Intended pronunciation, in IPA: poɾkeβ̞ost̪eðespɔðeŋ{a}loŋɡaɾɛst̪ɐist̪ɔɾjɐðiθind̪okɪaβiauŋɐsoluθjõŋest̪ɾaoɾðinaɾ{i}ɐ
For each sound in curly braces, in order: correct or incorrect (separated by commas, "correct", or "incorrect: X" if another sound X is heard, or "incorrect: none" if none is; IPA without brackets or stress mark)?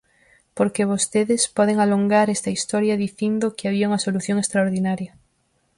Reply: correct, incorrect: j